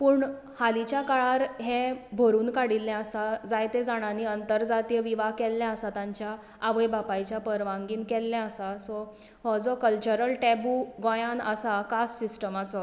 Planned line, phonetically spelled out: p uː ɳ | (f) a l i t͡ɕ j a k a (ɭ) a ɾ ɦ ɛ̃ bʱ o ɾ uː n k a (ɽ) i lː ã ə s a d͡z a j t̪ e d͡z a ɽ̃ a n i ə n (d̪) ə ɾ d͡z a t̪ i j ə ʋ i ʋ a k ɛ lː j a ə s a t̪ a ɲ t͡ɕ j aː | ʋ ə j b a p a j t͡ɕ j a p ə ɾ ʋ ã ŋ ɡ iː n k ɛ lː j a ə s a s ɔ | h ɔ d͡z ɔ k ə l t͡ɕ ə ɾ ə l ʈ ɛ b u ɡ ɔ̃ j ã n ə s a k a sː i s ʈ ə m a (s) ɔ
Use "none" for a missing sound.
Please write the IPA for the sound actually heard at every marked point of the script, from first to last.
h, ɭ, ɽ, t̪, t͡s

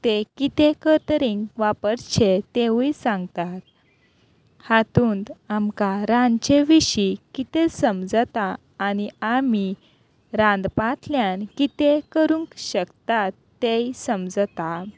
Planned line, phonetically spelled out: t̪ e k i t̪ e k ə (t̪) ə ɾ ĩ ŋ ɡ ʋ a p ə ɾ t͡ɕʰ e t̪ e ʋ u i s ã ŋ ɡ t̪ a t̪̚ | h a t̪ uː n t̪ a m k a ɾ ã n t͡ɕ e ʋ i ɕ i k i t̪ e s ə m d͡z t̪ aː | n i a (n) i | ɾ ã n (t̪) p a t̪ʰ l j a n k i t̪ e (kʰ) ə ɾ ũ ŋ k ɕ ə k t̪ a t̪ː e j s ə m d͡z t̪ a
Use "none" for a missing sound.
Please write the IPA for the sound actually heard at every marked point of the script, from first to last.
t̪, m, d̪, k

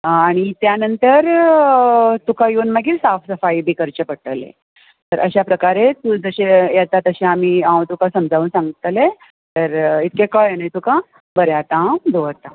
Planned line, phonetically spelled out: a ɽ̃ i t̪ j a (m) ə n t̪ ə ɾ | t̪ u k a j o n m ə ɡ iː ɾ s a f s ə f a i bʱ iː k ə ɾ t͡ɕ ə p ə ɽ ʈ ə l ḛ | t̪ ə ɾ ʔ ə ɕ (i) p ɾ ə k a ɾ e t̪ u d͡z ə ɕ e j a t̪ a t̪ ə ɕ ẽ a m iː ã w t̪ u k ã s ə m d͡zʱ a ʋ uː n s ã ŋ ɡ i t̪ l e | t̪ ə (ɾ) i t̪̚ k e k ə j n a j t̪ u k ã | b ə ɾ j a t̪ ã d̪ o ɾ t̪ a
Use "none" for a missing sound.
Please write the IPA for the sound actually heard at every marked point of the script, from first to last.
n, a, ɾ

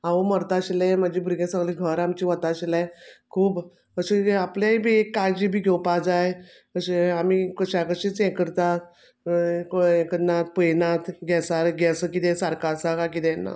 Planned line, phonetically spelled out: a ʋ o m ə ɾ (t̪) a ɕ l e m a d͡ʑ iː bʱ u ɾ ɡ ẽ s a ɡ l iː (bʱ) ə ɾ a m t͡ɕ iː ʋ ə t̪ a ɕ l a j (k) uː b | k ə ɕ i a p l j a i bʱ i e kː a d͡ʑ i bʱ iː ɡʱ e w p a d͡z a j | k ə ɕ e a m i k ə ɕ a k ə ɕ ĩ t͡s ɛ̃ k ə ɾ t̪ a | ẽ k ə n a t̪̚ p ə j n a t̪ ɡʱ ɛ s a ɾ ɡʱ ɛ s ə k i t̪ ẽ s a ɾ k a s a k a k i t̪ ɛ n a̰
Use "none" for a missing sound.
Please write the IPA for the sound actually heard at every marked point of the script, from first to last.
t̪, ɡʱ, kʰ

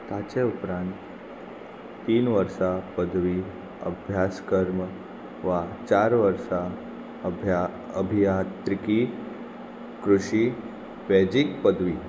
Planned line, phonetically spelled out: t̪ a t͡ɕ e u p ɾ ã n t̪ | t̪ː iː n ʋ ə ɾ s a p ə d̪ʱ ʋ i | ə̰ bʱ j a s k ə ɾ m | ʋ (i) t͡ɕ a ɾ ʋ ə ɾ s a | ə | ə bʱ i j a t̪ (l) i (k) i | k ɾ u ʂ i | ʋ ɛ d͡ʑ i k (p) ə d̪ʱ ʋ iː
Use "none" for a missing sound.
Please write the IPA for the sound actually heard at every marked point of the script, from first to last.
a, ɾ, k, p

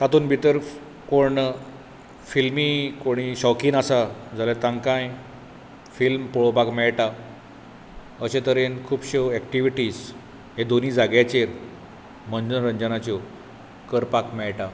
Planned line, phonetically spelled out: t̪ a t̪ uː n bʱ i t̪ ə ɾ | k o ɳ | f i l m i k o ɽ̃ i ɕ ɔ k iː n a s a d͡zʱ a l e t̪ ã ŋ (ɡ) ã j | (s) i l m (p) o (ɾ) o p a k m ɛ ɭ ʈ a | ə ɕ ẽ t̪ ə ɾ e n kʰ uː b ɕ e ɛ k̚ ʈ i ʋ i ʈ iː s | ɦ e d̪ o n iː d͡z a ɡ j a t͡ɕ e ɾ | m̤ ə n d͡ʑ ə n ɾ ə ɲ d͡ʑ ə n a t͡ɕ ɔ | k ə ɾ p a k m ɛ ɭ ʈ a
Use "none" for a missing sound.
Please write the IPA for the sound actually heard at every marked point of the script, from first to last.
k, f, p, ɭ

